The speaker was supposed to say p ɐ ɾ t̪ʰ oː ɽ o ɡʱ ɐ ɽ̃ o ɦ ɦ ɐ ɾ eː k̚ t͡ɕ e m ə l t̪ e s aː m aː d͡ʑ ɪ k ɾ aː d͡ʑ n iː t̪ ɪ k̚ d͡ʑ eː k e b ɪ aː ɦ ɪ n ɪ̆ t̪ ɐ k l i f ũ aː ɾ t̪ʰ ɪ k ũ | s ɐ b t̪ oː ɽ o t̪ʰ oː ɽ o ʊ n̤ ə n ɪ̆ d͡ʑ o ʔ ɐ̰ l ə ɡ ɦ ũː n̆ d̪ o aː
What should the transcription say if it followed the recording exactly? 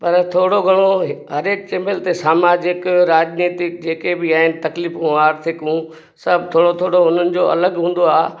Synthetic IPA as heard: p ɐ ɾ t̪ʰ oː ɽ o ɡʱ ɐ ɽ̃ o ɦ ɦ ɐ ɾ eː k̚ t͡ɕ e m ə l t̪ e s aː m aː d͡ʑ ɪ k ɾ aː d͡ʑ n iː t̪ ɪ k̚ d͡ʑ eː k e b ɪ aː ɦ ɪ n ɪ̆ t̪ ɐ k l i f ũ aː ɾ t̪ʰ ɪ k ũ | s ɐ b t̪ʰ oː ɽ o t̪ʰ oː ɽ o ʊ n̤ ə n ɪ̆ d͡ʑ o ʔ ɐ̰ l ə ɡ ɦ ũː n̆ d̪ o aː